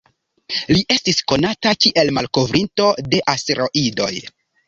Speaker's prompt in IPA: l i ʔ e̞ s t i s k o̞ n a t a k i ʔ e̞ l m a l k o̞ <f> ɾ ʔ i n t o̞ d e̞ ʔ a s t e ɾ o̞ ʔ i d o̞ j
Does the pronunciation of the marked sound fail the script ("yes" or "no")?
yes